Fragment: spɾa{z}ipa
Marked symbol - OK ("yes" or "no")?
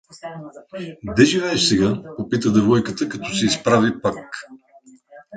no